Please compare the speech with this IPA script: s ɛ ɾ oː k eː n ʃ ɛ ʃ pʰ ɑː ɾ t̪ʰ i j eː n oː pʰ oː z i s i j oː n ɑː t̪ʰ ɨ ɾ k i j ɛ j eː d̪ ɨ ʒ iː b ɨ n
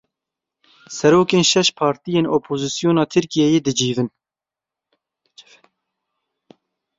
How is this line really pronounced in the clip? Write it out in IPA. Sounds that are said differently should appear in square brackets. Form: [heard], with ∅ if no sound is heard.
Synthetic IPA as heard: s ɛ ɾ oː k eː n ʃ ɛ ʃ pʰ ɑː ɾ [t̪] i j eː n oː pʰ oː z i s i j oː n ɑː t̪ʰ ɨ ɾ k i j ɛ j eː d̪ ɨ [d͡ʒ] iː [v] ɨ n